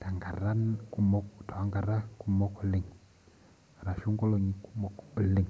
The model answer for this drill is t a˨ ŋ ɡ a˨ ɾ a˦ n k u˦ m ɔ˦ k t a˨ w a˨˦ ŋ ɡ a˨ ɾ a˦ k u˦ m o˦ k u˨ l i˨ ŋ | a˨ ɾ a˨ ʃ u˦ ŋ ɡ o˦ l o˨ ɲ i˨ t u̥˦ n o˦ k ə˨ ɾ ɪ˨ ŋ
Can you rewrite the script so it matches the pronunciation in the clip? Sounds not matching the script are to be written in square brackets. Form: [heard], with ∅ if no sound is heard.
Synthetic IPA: t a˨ ŋ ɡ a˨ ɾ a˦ n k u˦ m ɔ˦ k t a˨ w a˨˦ ŋ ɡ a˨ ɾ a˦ k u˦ m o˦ k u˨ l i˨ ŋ | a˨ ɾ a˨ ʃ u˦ ŋ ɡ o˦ l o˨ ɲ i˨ [k] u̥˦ [m] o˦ k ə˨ [l] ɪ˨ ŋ